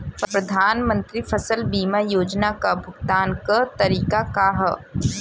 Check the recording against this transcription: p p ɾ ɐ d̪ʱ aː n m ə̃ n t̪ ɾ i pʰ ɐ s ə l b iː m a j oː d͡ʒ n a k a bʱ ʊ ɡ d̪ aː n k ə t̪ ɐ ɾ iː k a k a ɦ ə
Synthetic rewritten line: p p ɾ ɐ d̪ʱ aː n m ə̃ n t̪ ɾ i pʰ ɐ s ə l b iː m a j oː d͡ʒ n a k a bʱ ʊ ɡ t̪ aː n k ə t̪ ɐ ɾ iː k a k a ɦ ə

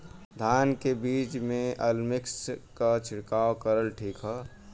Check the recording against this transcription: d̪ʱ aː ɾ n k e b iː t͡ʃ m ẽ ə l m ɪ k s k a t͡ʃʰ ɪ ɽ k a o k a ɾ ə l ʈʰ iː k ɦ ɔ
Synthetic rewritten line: d̪ʱ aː n k e b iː t͡ʃ m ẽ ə l m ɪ k s k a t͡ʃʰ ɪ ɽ k a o k ə ɾ ə l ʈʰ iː k ɦ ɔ

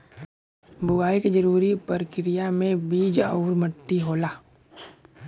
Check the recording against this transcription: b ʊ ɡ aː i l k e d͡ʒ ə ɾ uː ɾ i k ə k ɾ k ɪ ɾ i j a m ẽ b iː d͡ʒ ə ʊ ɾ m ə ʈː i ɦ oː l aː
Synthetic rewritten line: b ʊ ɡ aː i k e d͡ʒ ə ɾ uː ɾ i p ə ɾ k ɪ ɾ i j a m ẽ b iː d͡ʒ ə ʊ ɾ m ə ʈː i ɦ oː l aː

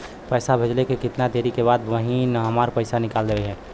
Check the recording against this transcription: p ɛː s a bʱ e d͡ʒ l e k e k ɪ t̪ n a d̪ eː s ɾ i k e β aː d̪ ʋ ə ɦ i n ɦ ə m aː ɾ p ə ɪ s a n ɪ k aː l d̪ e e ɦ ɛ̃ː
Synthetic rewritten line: p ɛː s a bʱ e d͡ʒ l e k e k ɪ t̪ n a d̪ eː ɾ i k e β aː d̪ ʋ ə ɦ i n ɦ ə m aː ɾ p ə ɪ s a n ɪ k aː l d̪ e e ɦ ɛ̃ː

